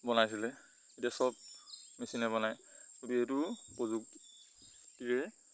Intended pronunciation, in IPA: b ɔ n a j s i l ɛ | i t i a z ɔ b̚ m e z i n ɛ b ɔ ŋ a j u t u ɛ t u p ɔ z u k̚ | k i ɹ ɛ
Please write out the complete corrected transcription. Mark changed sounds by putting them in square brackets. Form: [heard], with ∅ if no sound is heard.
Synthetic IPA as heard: b ɔ n a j s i l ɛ | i t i a [s] ɔ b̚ m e [s] i n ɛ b ɔ [n] a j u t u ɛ t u p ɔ z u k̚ | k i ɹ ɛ